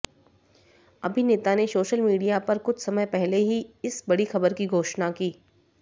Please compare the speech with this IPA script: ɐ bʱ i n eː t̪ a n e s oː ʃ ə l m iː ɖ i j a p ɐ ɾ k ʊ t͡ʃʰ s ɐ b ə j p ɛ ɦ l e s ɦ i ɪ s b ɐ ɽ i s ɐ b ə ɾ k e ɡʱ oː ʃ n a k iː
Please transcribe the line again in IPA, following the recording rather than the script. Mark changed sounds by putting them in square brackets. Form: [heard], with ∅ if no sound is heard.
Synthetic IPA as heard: ɐ bʱ i n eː t̪ a n e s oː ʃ ə l m iː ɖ i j a p ɐ ɾ k ʊ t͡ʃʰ s ɐ [m] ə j p ɛ ɦ l e [∅] ɦ i ɪ s b ɐ ɽ i [x] ɐ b ə ɾ k [i] ɡʱ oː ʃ n a k iː